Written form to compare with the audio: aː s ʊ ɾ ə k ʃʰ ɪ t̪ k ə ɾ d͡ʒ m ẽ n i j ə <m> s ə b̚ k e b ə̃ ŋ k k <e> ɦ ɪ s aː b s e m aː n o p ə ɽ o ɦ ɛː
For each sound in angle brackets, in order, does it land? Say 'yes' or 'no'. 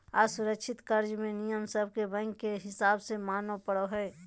yes, yes

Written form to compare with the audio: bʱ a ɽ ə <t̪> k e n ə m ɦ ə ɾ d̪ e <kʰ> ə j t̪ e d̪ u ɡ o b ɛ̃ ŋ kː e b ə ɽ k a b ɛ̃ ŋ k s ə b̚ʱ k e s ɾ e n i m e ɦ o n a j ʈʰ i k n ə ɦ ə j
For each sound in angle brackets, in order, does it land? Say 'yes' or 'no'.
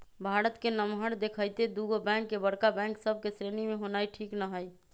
yes, yes

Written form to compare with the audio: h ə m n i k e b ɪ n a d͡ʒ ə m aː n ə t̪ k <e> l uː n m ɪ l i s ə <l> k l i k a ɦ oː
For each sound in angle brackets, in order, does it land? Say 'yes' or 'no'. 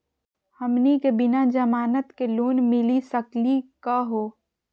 yes, no

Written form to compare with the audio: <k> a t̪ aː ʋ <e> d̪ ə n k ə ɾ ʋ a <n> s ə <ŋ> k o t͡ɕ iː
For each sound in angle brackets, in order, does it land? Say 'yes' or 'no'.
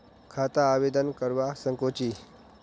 no, yes, no, yes

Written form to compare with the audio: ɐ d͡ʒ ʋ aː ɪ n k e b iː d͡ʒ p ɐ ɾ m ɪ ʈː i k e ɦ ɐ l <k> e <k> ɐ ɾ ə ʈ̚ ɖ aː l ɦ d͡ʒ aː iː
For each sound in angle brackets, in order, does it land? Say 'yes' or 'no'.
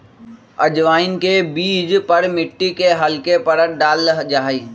yes, no

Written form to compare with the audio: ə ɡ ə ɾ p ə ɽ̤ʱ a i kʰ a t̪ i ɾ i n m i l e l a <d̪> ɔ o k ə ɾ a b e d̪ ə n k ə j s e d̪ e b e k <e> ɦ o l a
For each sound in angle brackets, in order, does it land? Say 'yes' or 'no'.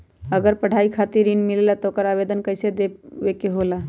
no, yes

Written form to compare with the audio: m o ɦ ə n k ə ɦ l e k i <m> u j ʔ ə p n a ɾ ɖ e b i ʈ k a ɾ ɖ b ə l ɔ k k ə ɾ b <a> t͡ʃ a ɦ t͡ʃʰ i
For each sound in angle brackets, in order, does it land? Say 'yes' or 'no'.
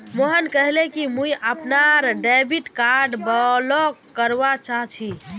yes, yes

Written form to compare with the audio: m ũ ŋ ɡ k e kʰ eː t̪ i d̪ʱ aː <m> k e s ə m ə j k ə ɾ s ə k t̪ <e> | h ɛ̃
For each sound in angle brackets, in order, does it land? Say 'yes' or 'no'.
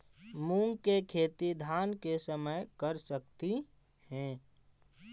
no, no

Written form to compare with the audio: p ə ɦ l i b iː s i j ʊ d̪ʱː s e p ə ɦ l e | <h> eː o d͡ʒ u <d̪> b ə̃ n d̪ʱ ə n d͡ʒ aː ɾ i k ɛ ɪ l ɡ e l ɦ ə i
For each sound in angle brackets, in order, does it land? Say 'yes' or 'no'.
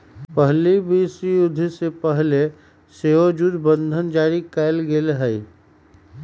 no, yes

